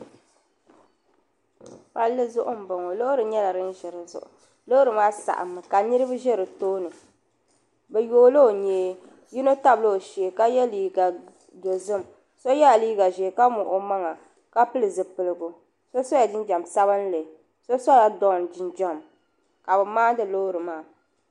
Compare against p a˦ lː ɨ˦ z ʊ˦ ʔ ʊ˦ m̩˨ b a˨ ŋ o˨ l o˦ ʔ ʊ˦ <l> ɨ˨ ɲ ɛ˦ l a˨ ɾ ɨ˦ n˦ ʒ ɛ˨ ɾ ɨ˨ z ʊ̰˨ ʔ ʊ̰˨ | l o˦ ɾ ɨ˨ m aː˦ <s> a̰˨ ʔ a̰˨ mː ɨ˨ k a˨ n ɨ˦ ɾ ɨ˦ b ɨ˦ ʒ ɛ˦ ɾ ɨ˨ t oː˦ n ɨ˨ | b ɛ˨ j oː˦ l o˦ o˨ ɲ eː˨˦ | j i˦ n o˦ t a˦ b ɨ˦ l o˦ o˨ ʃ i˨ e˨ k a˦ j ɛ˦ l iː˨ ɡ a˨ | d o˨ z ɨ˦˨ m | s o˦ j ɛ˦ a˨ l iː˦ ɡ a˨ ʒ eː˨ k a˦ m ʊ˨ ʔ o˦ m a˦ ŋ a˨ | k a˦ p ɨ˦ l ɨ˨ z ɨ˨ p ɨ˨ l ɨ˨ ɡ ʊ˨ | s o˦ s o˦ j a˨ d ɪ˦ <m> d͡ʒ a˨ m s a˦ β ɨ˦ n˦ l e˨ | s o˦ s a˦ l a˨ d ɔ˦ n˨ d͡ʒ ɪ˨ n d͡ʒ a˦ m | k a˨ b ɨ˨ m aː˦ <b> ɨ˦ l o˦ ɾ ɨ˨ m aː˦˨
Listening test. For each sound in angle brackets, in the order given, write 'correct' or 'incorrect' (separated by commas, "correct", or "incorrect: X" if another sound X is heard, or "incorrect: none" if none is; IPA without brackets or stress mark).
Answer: incorrect: ɾ, correct, incorrect: n, incorrect: d